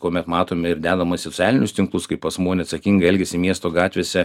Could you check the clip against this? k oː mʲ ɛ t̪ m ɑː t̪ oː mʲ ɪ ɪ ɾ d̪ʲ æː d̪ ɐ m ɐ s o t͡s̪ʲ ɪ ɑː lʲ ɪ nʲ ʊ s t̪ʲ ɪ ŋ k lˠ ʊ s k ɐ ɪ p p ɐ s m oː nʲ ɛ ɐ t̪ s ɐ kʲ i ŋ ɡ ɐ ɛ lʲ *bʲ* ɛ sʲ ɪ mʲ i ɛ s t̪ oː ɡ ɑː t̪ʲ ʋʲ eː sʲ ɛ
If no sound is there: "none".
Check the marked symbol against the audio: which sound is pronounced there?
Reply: ɡʲ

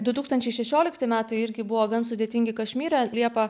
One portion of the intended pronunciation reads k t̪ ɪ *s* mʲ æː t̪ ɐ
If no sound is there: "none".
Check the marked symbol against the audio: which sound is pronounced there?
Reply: none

